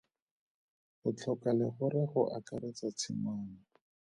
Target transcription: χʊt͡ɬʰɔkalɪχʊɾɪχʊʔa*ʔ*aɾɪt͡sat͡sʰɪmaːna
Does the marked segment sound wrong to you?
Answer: yes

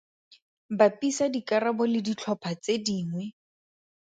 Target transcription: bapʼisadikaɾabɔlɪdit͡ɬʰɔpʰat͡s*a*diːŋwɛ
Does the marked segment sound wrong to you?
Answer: yes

